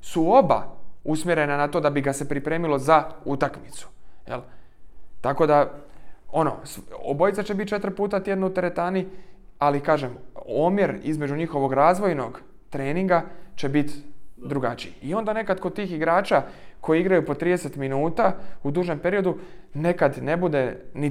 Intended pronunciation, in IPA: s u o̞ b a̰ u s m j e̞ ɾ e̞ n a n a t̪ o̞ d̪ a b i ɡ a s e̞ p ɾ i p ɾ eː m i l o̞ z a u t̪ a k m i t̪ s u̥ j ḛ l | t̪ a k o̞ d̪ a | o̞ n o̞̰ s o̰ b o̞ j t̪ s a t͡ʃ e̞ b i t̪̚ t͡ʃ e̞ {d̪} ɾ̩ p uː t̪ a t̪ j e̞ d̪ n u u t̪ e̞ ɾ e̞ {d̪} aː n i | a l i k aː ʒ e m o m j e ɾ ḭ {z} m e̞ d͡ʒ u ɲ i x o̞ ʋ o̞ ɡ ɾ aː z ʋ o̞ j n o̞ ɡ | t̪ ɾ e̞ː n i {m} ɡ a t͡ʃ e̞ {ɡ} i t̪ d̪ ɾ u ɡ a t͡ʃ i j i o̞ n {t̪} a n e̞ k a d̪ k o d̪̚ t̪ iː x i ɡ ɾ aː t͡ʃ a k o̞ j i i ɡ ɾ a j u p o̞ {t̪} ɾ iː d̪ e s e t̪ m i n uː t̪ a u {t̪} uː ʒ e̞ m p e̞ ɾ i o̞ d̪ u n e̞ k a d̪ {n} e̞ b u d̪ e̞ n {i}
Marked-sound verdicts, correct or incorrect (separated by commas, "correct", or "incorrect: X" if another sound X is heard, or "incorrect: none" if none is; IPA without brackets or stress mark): incorrect: t̪, incorrect: t̪, correct, incorrect: ŋ, incorrect: b, incorrect: d̪, correct, incorrect: d̪, correct, correct